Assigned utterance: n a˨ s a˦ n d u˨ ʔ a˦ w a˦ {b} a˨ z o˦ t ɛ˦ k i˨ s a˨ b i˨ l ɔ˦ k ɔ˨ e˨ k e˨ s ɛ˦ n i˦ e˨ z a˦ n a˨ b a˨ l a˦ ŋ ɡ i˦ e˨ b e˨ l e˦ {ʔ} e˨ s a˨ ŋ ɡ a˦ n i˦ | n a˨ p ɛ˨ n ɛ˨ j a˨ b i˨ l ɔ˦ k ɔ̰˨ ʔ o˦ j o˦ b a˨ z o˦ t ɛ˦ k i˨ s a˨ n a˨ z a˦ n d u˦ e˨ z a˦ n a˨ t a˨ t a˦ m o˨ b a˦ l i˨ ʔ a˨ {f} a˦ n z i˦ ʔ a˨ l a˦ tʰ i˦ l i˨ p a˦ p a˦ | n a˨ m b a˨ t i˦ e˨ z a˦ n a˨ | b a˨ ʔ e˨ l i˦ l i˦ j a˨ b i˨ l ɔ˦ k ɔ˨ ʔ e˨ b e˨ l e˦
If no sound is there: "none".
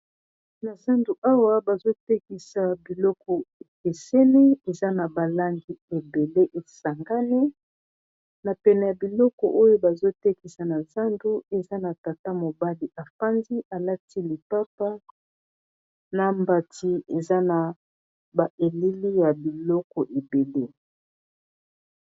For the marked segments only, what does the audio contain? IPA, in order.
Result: b, ʔ, f

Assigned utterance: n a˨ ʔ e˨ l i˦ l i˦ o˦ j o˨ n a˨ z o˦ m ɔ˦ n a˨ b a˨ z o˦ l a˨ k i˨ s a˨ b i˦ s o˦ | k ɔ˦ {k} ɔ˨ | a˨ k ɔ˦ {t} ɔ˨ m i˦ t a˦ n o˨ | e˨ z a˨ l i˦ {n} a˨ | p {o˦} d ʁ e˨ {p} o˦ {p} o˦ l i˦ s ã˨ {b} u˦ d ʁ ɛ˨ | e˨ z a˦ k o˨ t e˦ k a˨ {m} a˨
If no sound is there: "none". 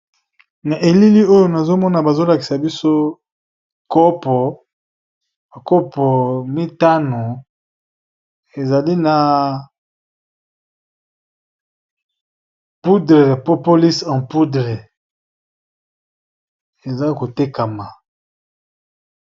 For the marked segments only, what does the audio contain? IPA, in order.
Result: p, p, n, u˦, p, p, p, m

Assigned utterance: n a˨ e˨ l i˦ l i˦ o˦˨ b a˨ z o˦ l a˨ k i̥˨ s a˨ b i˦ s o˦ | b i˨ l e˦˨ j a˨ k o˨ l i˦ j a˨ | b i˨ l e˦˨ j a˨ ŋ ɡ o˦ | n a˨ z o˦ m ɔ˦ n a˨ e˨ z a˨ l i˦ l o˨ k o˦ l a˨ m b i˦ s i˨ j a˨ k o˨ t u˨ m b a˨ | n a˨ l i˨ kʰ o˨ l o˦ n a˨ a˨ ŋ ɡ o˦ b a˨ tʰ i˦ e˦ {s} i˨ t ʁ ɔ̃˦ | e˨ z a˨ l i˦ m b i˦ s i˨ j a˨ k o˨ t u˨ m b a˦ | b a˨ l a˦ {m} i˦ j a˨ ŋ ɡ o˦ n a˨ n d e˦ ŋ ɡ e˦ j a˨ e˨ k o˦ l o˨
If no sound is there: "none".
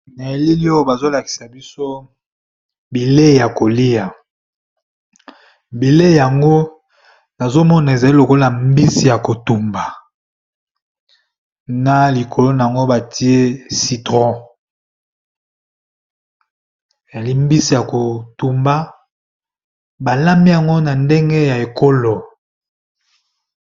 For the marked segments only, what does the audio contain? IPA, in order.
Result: s, m

